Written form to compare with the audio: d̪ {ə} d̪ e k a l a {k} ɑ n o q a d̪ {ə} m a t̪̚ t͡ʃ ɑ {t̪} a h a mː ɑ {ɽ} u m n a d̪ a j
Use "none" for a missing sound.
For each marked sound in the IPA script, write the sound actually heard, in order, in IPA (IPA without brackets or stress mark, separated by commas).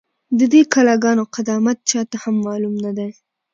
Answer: ə, ɡ, ɑ, t̪, l